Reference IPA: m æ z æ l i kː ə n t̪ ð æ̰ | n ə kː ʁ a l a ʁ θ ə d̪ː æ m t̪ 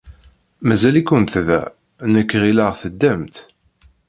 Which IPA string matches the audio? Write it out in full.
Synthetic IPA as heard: m æ z æ l i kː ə n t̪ ð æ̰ | n ə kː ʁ i l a ʁ θ ə d̪ː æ m t̪